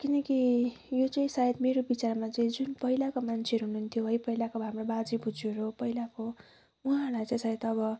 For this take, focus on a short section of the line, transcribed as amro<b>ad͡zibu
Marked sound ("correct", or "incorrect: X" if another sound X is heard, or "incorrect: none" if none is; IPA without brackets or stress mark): correct